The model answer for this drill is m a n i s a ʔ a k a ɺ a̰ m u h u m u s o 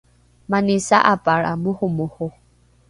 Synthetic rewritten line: m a n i s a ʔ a p a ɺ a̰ m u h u m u h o